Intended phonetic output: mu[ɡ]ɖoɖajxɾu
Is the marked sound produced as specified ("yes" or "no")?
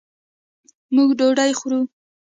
yes